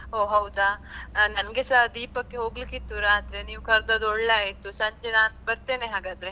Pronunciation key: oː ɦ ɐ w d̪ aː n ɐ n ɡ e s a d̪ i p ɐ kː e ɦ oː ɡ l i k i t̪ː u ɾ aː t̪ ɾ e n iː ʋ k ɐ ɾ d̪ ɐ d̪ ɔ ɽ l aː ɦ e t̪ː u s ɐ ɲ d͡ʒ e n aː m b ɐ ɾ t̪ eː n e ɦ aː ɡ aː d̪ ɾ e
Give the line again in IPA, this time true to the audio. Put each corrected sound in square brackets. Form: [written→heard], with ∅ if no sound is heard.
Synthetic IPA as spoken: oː ɦ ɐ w d̪ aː n ɐ n ɡ e s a d̪ [i→iː] p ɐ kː e ɦ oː ɡ l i k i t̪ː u ɾ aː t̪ ɾ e n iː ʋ k ɐ ɾ d̪ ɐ d̪ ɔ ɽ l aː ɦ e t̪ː u s ɐ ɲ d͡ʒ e n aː [m→n] b ɐ ɾ t̪ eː n e ɦ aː ɡ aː d̪ ɾ e